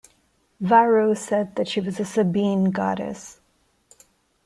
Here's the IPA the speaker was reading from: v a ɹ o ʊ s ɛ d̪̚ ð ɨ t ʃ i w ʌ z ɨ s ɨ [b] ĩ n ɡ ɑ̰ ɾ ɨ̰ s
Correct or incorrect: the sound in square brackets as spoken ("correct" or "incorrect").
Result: correct